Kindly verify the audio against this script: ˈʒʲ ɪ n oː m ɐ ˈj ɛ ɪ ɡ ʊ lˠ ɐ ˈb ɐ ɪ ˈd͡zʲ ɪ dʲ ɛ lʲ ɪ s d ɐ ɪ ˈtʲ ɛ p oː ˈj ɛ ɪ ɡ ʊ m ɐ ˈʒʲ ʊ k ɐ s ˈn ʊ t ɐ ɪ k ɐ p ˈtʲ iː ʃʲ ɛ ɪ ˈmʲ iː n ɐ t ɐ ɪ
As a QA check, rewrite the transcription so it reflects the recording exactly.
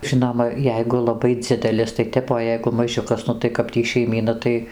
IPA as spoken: ˈʒʲ ɪ n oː m ɐ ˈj ɛ ɪ ɡ ʊ lˠ ɐ ˈb ɐ ɪ ˈd͡zʲ ɪ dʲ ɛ lʲ ɪ s t ɐ ɪ ˈtʲ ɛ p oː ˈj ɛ ɪ ɡ ʊ m ɐ ˈʒʲ ʊ k ɐ s ˈn ʊ t ɐ ɪ k ɐ p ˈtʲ iː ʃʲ ɛ ɪ ˈmʲ iː n ɐ t ɐ ɪ